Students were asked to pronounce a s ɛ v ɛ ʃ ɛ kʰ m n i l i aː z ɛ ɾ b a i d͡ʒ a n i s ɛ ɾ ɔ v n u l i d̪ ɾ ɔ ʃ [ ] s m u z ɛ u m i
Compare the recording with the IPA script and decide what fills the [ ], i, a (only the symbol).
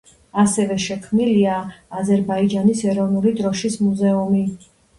i